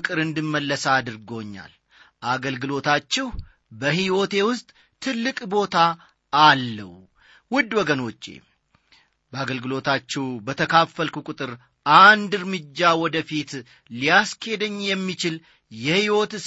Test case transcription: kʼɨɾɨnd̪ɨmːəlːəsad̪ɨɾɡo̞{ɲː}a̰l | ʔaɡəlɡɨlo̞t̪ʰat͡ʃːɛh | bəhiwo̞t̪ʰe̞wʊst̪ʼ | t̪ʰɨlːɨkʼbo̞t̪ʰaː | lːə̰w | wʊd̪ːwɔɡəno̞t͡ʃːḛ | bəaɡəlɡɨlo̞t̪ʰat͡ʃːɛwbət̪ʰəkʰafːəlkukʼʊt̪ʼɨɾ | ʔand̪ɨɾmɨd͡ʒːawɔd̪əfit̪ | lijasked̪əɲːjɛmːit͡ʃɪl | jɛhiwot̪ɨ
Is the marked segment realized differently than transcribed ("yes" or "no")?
no